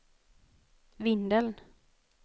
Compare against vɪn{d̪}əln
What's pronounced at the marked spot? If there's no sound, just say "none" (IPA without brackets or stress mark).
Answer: d̪